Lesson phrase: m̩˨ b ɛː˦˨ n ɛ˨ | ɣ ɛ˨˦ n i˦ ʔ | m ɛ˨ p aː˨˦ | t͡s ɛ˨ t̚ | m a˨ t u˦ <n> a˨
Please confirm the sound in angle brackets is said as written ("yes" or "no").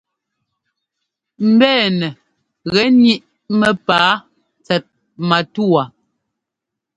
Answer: no